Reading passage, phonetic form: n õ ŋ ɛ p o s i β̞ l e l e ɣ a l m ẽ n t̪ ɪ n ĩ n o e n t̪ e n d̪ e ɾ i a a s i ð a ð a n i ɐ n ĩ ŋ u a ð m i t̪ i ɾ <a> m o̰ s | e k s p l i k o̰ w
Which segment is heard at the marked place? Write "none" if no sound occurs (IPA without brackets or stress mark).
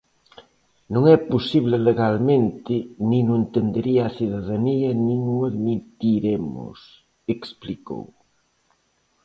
e